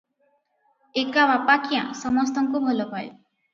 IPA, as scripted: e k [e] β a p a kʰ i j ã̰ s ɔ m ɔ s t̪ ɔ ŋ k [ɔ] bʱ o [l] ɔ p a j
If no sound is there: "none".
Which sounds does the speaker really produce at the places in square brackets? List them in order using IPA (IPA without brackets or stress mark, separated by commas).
a, u, l